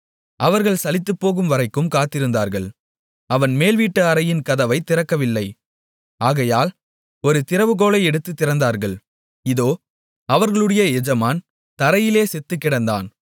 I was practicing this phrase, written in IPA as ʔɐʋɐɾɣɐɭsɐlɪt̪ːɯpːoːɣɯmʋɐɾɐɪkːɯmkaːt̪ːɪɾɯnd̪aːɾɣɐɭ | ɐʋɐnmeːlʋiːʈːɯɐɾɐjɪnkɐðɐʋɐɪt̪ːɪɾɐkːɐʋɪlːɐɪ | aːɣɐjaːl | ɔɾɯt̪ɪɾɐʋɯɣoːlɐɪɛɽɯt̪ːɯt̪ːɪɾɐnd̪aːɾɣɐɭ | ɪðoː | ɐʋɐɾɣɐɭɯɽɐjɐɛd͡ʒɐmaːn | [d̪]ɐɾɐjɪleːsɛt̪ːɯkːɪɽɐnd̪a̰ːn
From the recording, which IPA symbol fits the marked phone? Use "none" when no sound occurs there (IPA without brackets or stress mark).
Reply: t̪